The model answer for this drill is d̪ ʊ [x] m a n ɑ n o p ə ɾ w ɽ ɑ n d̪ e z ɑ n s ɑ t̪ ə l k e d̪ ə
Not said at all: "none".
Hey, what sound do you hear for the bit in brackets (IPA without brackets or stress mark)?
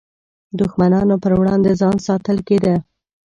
x